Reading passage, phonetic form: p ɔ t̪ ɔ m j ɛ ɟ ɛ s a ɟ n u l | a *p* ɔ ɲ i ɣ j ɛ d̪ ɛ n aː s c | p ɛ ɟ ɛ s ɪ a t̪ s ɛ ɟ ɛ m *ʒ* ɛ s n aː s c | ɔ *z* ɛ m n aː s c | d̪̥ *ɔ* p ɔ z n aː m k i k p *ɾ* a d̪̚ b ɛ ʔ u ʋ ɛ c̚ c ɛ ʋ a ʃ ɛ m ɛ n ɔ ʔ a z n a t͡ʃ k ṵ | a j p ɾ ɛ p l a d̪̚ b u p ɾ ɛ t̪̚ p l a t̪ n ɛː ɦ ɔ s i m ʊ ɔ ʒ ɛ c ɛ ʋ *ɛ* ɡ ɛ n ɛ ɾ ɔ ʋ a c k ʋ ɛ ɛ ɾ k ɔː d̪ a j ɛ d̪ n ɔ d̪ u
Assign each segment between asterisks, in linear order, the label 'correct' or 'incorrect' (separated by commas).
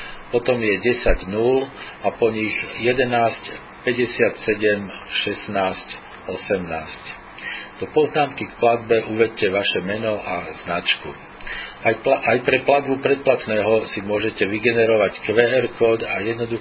correct, incorrect, incorrect, correct, incorrect, incorrect